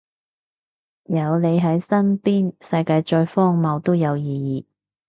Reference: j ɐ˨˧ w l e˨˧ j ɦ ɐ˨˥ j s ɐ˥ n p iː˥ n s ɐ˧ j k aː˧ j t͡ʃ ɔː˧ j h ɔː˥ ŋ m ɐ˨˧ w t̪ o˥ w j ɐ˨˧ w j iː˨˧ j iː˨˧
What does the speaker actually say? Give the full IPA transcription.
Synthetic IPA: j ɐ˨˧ w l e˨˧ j ɦ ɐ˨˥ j s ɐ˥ n p iː˥ n s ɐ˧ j k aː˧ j t͡ʃ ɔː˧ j f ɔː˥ ŋ m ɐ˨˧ w t̪ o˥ w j ɐ˨˧ w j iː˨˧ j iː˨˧